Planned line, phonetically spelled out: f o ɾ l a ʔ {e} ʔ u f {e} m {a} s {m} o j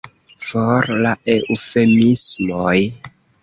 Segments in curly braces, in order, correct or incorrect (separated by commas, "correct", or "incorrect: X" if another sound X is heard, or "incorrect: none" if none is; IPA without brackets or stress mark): correct, correct, incorrect: i, correct